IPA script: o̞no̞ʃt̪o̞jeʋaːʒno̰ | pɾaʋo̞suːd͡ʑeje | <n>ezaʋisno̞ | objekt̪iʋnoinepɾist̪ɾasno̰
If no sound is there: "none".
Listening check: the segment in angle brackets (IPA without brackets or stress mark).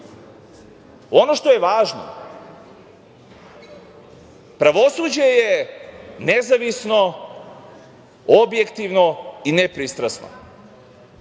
n